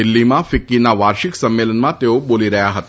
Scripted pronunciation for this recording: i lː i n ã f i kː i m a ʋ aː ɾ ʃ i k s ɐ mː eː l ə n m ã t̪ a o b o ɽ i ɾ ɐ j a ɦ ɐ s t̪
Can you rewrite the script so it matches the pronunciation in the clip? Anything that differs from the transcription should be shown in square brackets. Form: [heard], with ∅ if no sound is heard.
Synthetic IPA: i lː i [m] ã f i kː i [n] a ʋ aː ɾ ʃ i k s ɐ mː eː l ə n m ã t̪ [e] o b o [l] i ɾ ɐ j a ɦ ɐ [∅] t̪